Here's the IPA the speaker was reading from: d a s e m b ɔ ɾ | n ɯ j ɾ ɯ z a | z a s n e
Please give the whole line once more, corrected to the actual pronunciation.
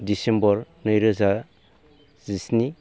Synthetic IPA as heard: d i s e m b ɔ ɾ | n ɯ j ɾ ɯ z a | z i s n i